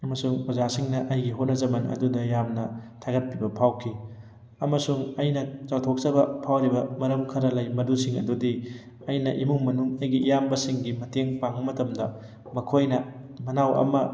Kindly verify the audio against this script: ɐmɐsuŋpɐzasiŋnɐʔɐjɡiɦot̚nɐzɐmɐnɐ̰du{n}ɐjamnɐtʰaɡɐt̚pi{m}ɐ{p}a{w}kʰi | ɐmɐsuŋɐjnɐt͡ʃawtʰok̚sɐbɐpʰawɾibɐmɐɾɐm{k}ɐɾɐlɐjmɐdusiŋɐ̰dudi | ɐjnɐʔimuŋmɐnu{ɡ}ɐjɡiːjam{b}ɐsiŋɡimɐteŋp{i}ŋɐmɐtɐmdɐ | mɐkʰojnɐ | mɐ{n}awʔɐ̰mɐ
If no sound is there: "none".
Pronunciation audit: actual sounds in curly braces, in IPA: d, b, pʰ, w, kʰ, ŋ, b, a, n

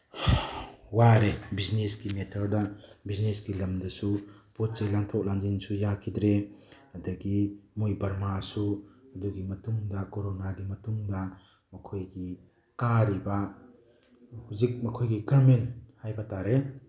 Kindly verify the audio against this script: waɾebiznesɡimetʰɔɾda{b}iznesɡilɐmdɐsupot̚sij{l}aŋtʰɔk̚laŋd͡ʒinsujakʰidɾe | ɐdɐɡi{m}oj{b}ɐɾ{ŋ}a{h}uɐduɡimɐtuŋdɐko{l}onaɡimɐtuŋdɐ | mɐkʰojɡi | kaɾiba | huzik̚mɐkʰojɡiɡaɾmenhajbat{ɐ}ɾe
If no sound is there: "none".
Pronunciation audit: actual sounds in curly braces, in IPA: b, l, m, b, m, s, ɾ, a

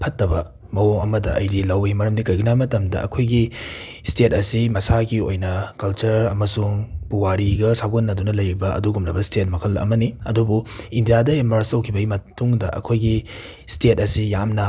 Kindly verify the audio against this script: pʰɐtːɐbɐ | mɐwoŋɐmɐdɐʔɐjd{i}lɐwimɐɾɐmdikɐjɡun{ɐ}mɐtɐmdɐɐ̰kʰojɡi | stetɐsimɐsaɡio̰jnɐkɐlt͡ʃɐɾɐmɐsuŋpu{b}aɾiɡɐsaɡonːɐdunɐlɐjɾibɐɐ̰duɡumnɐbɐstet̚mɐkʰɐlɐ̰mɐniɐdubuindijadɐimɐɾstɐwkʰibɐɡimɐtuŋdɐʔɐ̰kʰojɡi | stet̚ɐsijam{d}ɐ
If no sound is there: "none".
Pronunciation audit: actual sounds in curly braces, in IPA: i, a, w, n

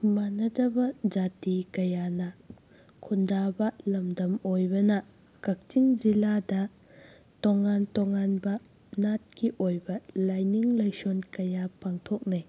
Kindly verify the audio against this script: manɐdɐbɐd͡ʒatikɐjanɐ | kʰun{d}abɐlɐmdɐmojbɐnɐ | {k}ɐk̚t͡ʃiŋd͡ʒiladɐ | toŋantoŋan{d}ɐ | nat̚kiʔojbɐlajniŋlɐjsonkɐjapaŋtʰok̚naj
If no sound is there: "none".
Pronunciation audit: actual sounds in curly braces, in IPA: d, k, b

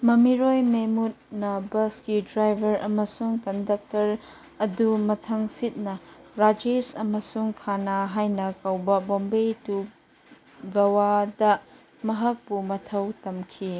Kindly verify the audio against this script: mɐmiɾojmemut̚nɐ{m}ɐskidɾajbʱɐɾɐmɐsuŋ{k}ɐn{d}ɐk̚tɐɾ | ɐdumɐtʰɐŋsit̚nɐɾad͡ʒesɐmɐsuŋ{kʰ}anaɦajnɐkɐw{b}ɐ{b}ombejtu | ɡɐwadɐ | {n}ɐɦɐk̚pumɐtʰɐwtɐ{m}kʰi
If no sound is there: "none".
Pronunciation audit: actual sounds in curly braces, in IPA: b, k, d, kʰ, b, b, m, m

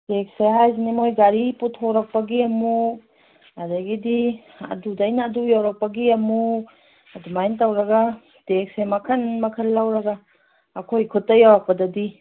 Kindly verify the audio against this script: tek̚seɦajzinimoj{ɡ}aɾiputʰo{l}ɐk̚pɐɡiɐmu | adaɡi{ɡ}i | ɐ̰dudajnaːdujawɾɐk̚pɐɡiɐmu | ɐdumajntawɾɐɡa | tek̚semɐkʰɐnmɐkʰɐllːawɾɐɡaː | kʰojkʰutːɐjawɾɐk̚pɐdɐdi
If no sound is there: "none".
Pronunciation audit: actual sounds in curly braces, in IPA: ɡ, ɾ, d

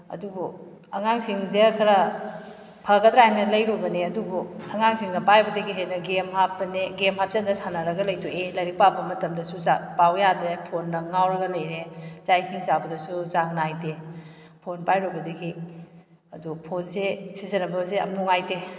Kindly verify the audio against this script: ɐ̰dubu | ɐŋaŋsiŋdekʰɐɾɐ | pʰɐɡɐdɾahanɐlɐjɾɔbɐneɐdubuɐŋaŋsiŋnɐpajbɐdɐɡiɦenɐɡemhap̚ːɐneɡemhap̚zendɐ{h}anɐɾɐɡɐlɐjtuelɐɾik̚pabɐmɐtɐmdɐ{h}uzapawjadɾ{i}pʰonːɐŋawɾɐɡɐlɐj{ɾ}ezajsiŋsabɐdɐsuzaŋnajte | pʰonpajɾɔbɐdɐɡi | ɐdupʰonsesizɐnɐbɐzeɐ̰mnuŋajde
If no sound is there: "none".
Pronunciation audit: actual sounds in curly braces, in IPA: s, s, e, ɾ

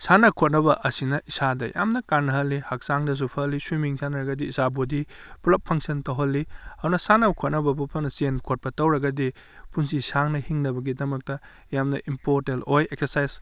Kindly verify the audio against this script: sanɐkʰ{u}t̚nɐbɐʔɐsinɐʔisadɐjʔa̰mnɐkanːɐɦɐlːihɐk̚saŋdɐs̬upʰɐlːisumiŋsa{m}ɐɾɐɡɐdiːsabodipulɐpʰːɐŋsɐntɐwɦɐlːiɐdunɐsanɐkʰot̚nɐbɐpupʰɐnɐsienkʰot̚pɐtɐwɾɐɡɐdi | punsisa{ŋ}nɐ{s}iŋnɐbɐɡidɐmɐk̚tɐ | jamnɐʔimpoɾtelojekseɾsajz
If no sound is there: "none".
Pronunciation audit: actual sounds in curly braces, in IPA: o, n, ŋ, h

